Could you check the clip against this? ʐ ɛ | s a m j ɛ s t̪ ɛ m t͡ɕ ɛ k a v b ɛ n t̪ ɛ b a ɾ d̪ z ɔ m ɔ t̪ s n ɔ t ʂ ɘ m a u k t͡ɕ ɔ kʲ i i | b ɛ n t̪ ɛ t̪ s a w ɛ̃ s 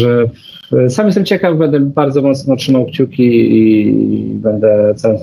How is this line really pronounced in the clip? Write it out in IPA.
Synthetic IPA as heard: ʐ ɛ | s a m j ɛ s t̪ ɛ m t͡ɕ ɛ k a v b ɛ n d̪ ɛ b a ɾ d̪ z ɔ m ɔ t̪ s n ɔ t ʂ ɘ m a w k t͡ɕ u kʲ i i | b ɛ n d̪ ɛ t̪ s a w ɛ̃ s